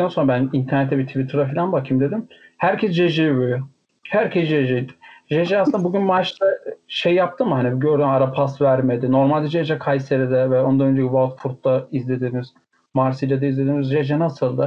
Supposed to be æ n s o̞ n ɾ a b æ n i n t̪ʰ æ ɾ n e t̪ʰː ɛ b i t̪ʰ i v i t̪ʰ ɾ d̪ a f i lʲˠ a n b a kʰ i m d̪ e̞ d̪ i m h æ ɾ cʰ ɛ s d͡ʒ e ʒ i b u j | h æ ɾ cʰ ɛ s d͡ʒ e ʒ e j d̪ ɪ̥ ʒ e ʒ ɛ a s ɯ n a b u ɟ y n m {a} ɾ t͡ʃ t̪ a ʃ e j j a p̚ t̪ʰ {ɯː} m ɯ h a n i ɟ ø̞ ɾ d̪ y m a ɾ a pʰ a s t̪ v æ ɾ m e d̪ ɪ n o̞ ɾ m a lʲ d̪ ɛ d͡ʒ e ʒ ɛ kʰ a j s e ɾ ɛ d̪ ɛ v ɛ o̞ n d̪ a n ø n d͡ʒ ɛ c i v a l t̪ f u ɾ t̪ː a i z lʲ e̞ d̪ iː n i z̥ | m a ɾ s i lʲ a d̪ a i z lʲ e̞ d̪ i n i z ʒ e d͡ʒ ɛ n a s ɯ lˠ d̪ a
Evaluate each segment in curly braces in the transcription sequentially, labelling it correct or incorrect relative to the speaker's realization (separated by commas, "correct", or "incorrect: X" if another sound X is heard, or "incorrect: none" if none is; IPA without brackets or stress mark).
correct, incorrect: ɯ